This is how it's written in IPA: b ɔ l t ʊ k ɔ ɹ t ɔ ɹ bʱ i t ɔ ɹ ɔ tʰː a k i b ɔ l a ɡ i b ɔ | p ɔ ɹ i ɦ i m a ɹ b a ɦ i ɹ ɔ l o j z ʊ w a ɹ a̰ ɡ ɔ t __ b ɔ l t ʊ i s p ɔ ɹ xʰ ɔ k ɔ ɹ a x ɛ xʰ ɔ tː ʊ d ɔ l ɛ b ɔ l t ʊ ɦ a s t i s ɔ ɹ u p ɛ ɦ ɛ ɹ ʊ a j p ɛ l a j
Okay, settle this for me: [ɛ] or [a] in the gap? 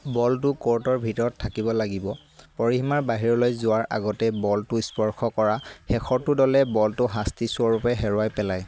ɛ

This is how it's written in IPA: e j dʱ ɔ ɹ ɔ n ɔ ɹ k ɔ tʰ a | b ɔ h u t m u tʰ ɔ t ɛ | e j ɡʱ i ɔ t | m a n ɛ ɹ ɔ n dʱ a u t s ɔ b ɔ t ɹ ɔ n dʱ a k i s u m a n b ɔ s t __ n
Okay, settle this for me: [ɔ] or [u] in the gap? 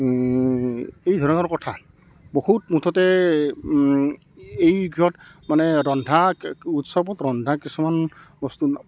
u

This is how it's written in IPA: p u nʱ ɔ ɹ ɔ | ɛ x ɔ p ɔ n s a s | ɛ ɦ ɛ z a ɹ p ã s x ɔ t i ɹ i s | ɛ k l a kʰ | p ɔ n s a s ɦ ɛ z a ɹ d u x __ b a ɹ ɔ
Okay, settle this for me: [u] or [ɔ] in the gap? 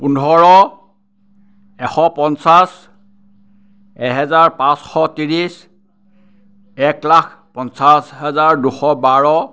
ɔ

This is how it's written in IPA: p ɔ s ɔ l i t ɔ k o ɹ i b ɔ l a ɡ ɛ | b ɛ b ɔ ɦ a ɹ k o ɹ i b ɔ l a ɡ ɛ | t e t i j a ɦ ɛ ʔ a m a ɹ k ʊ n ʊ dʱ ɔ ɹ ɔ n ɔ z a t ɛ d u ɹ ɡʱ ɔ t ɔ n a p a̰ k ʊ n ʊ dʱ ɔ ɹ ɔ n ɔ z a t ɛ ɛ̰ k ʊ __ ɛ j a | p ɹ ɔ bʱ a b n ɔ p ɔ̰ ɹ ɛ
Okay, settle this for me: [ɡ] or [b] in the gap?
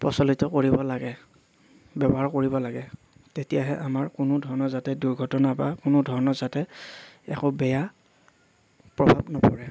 b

